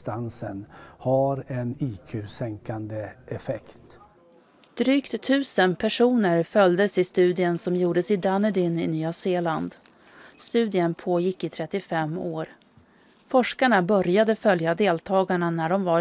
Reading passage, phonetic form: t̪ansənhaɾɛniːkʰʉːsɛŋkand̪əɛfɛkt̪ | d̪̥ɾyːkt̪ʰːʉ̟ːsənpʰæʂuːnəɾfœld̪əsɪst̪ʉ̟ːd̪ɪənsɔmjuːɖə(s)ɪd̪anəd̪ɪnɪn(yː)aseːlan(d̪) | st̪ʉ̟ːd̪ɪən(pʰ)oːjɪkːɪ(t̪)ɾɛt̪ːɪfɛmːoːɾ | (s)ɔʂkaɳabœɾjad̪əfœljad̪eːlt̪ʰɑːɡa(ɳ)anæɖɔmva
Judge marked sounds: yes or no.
yes, yes, yes, yes, no, no, yes

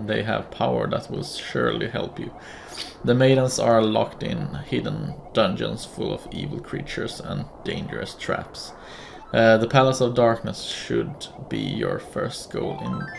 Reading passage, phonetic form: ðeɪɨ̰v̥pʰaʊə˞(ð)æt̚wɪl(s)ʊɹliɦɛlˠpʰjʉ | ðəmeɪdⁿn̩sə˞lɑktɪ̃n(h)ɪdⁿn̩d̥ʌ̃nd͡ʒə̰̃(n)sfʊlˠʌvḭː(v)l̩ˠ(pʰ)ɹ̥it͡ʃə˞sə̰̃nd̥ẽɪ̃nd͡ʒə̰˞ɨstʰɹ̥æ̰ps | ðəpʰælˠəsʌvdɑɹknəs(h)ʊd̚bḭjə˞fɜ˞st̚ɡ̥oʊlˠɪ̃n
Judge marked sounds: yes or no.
yes, no, yes, yes, yes, no, no

